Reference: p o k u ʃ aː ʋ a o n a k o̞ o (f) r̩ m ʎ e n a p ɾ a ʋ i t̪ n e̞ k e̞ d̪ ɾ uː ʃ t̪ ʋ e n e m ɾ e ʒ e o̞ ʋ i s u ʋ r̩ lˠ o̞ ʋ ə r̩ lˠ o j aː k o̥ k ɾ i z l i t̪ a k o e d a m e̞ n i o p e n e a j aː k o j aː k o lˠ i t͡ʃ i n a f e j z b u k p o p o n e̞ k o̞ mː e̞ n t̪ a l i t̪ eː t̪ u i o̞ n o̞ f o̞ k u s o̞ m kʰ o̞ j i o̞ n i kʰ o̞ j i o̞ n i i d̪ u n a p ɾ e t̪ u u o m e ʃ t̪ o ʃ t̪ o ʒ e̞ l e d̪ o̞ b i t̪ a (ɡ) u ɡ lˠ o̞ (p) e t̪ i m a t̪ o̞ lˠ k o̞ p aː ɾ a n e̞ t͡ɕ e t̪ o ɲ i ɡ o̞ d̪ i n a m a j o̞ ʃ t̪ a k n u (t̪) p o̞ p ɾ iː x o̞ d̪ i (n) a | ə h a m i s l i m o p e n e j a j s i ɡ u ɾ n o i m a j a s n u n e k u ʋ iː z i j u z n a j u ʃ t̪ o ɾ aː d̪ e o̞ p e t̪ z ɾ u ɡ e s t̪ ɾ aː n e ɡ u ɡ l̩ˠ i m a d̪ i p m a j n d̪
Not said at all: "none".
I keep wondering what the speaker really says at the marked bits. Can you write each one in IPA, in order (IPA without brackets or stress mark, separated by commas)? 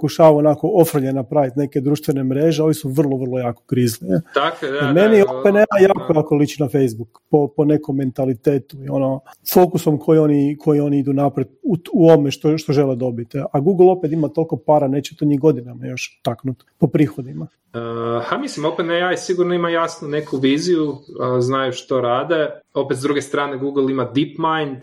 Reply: f, ɡ, p, t̪, m